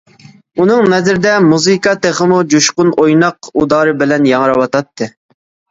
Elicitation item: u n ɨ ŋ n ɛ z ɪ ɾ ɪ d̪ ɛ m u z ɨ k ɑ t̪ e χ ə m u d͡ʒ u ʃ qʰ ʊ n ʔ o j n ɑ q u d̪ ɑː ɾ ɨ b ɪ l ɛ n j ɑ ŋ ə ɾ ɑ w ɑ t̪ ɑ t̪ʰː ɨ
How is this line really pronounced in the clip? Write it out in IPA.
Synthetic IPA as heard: u n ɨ ŋ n ɛ z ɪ ɾ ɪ d̪ ɛ m u z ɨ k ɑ t̪ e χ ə m u d͡ʒ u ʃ q ʊ n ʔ o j n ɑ q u d̪ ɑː ɾ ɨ b ɪ l ɛ n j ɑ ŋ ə ɾ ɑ w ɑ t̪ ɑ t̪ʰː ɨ